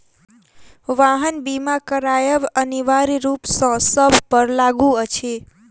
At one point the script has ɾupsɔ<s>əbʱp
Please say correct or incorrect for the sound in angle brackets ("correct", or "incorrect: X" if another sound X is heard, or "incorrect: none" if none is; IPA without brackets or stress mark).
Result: correct